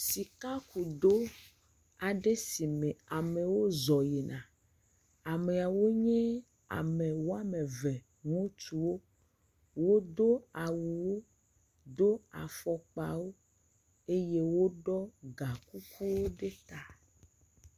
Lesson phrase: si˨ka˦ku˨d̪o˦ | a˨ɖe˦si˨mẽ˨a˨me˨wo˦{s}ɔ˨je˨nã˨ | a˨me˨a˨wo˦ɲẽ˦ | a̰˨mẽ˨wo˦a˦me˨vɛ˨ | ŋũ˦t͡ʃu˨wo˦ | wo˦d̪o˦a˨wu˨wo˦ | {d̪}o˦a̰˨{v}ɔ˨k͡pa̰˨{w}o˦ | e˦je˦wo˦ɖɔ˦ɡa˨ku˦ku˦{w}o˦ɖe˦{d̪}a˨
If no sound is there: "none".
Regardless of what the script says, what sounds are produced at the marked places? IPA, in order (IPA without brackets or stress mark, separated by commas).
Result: z, d̪, f, w, w, t̪